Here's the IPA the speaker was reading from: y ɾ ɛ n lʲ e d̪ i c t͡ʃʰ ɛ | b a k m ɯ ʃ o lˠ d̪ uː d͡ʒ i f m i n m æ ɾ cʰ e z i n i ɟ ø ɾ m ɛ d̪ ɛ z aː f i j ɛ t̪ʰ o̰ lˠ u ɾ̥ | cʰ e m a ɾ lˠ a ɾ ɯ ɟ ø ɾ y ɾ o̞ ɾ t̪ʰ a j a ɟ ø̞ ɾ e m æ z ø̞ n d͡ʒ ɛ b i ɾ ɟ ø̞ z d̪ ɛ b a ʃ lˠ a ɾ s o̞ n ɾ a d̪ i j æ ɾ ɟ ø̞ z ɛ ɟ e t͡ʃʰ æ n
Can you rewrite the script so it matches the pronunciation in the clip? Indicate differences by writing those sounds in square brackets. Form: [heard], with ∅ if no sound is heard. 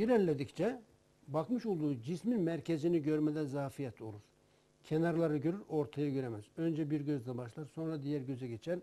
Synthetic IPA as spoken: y ɾ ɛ n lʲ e d̪ i c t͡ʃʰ ɛ | b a k m ɯ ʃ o lˠ d̪ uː d͡ʒ i [s] m i n m æ ɾ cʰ e z i n i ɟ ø ɾ m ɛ d̪ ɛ z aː f i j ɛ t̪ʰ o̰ lˠ u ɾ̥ | cʰ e [n] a ɾ lˠ a ɾ ɯ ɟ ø ɾ y ɾ o̞ ɾ t̪ʰ a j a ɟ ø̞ ɾ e m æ z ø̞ n d͡ʒ ɛ b i ɾ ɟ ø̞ z d̪ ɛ b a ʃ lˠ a ɾ s o̞ n ɾ a d̪ i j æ ɾ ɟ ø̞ z ɛ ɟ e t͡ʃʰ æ n